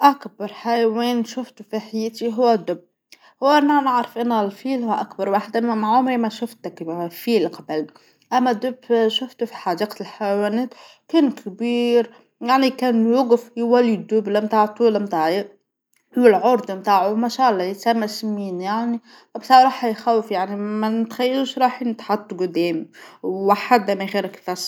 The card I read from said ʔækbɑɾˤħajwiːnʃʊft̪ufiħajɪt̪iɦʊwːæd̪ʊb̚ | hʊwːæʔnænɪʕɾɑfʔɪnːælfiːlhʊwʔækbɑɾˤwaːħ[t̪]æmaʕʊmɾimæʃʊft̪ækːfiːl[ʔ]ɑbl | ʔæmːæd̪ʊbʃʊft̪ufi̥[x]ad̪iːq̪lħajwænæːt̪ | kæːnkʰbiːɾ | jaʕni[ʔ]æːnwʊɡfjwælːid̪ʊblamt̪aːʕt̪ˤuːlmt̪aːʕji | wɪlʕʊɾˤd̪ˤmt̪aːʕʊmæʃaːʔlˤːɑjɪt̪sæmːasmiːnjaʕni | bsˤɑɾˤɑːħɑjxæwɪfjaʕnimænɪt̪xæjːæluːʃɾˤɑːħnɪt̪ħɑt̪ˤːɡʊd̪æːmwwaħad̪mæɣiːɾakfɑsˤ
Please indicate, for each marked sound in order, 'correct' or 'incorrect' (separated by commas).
incorrect, incorrect, incorrect, incorrect